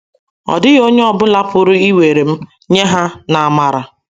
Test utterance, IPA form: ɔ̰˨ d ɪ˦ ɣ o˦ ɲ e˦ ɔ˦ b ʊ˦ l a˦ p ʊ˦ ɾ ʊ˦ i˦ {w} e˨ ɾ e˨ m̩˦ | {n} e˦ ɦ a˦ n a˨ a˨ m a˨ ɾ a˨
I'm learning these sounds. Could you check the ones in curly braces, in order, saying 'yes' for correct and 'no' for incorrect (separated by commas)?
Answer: yes, no